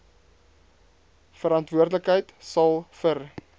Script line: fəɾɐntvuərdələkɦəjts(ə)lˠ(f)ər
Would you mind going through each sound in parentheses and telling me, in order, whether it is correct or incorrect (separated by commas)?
incorrect, correct